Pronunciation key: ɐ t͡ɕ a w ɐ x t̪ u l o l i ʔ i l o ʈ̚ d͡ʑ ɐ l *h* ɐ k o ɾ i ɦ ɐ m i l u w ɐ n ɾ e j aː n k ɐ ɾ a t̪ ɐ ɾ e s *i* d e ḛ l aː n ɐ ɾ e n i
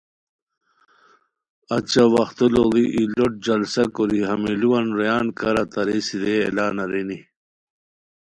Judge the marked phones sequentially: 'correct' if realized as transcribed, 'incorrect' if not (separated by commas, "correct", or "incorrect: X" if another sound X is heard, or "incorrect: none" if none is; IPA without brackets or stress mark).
incorrect: s, correct